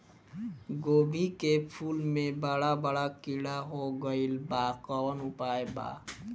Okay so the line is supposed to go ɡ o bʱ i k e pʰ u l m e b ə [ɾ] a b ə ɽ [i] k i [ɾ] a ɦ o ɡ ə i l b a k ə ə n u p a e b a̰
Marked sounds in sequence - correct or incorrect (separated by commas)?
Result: incorrect, incorrect, incorrect